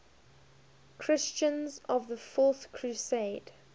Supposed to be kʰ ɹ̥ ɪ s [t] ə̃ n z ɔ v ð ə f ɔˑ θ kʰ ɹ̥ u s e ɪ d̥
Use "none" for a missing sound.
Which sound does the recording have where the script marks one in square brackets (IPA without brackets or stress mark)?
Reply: t͡ʃ